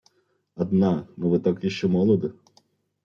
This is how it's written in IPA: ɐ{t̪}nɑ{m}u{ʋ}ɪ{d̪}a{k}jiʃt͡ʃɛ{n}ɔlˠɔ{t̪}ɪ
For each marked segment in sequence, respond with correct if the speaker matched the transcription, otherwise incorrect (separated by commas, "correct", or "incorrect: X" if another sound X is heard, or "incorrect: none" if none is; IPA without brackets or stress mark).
incorrect: d̪, incorrect: n, correct, incorrect: t̪, correct, incorrect: m, incorrect: d̪